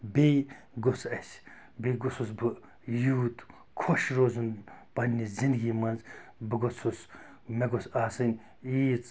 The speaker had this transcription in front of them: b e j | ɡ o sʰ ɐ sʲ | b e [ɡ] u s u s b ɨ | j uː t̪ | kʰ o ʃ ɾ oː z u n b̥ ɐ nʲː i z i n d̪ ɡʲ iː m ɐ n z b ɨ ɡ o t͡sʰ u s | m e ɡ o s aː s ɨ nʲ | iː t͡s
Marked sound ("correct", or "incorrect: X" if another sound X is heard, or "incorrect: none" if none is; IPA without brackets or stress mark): correct